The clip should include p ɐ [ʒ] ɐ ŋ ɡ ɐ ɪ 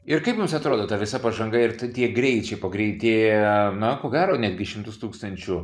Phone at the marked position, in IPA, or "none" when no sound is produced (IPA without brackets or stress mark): ʒ